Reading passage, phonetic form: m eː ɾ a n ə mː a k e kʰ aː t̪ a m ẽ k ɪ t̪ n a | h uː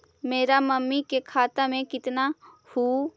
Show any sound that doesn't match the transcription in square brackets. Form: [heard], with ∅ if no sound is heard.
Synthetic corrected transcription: m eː ɾ a [m] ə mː [i] k e kʰ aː t̪ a m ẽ k ɪ t̪ n a | h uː